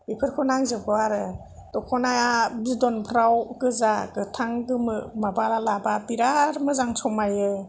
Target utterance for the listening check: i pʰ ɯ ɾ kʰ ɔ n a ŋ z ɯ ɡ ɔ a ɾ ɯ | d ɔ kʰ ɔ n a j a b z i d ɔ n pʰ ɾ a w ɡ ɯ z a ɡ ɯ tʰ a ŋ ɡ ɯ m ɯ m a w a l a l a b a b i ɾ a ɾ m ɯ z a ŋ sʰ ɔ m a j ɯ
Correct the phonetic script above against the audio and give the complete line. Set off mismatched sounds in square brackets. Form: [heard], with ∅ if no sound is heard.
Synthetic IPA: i pʰ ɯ ɾ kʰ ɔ n a ŋ z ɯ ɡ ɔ a ɾ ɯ | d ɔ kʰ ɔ n a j a b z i d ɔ n pʰ ɾ a w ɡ ɯ z a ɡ ɯ tʰ a ŋ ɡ ɯ m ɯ m a [b] a l a l a b a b i ɾ a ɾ m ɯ z a ŋ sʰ ɔ m a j ɯ